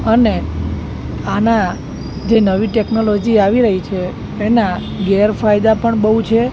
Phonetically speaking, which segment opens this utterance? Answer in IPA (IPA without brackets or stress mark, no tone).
ə